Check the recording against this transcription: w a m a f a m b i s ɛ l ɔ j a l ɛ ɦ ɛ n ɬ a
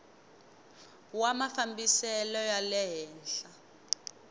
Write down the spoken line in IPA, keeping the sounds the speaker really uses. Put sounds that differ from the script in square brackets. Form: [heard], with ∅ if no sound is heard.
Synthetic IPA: w a m a f a m b i s ɛ l ɔ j a l ɛ ɦ [ɛː] n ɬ a